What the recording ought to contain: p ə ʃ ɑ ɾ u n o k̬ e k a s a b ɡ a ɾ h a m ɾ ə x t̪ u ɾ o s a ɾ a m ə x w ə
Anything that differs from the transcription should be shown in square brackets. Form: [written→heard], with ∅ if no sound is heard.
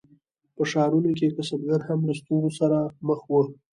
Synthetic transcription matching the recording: p ə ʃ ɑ ɾ u n o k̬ e k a s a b ɡ a ɾ h a m [ɾ→l] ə [x→s] t̪ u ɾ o s a ɾ a m ə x w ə